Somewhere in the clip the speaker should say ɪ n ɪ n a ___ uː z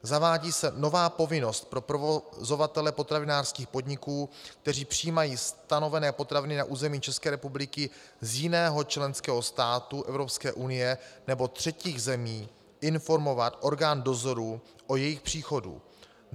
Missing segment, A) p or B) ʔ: B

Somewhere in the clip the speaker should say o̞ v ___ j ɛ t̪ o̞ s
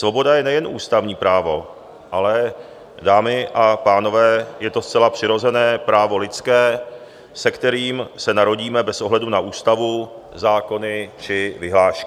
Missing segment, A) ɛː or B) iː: A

